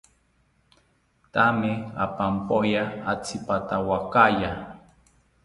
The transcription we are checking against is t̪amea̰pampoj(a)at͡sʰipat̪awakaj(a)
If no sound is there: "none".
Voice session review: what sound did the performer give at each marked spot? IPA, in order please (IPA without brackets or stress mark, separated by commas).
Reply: a, a